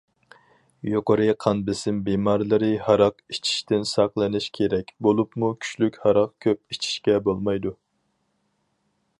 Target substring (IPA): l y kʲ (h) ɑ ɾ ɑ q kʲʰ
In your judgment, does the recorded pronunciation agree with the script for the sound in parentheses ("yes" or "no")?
yes